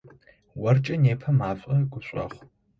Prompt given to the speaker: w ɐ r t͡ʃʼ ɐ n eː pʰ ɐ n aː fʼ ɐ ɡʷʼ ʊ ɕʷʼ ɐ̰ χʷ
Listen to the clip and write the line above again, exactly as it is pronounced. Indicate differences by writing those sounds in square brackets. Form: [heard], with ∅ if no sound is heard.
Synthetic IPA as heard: w ɐ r t͡ʃʼ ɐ n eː pʰ ɐ [m] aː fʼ ɐ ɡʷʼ ʊ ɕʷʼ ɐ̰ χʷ